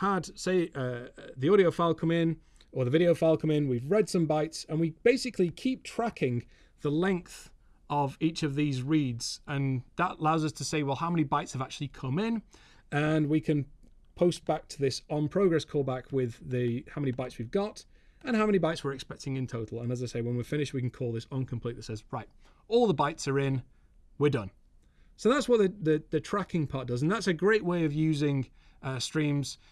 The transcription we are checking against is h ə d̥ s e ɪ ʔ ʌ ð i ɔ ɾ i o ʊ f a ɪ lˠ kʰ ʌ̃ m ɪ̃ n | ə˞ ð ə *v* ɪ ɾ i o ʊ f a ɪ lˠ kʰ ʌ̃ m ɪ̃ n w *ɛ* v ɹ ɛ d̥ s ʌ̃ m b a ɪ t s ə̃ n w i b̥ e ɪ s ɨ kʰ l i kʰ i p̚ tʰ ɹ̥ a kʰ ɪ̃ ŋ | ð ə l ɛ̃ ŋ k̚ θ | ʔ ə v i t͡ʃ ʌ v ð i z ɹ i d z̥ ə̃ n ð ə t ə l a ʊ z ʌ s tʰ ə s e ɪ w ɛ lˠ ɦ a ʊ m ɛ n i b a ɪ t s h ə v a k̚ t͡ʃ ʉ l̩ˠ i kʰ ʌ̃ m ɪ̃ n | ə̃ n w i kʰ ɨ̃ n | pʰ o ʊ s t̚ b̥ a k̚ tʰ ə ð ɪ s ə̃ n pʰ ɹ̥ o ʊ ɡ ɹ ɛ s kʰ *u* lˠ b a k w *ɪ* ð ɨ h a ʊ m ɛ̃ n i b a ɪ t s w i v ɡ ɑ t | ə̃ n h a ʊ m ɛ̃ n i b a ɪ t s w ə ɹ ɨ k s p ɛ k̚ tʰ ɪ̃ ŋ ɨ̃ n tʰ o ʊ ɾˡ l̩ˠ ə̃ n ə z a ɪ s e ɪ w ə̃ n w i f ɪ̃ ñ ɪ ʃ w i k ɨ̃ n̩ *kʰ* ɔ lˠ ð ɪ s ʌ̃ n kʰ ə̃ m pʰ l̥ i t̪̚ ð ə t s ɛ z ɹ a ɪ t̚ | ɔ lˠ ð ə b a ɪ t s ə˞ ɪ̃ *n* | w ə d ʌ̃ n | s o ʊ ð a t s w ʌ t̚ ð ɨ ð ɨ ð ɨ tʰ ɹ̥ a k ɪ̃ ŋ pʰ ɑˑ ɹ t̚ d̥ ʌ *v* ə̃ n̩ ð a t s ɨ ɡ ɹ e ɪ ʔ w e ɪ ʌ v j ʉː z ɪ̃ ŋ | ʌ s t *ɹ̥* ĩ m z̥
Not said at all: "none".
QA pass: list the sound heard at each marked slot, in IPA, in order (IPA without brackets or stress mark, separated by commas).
v, i, ɔ, ɪ, kʰ, n, z, ɹ̥